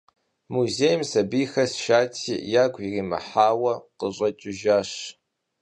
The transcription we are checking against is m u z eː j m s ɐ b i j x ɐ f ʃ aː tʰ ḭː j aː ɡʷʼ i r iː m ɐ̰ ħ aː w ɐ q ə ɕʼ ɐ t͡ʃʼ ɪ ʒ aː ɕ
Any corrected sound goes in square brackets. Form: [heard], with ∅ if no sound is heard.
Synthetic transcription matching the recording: m u z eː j m s ɐ b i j x ɐ [s] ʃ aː tʰ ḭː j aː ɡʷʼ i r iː m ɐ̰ ħ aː w ɐ q ə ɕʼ ɐ t͡ʃʼ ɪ ʒ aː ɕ